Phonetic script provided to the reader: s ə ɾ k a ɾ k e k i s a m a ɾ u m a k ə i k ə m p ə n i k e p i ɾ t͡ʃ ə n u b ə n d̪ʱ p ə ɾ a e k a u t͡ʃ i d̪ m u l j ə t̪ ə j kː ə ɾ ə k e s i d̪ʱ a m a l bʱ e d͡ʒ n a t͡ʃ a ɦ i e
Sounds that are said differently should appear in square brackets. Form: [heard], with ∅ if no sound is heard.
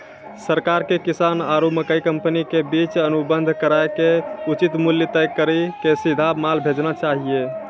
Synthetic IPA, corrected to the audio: s ə ɾ k a ɾ k e k i s a [n] a ɾ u m [ə] k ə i k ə m p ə n i k e [b] i [∅] t͡ʃ ə n u b ə n d̪ʱ [k] ə ɾ a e k [e] u t͡ʃ i [t̪] m u l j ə t̪ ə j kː ə ɾ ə k e s i d̪ʱ a m a l bʱ e d͡ʒ n a t͡ʃ a ɦ i e